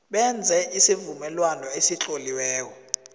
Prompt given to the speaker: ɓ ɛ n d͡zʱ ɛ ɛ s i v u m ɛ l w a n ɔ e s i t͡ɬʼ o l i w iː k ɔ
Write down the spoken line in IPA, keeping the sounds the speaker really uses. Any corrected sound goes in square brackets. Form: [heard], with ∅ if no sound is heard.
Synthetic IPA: ɓ ɛ n d͡zʱ ɛ [i] s i v u m ɛ l w a n ɔ e s i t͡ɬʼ o l i w [ɛː] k ɔ